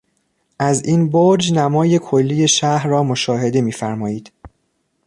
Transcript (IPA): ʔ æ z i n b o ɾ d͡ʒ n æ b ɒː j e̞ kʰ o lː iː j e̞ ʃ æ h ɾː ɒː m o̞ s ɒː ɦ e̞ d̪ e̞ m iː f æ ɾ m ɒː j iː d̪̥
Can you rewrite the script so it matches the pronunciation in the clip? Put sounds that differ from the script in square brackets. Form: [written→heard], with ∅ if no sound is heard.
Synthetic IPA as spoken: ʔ æ z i n b o ɾ d͡ʒ n æ [b→m] ɒː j e̞ kʰ o lː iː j e̞ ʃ æ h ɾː ɒː m o̞ [s→ʃ] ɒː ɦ e̞ d̪ e̞ m iː f æ ɾ m ɒː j iː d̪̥